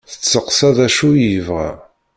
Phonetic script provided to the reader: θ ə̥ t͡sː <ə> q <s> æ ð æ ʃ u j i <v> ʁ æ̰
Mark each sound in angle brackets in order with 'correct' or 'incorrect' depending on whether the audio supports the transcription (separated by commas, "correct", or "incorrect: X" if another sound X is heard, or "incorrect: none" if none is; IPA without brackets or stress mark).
correct, correct, correct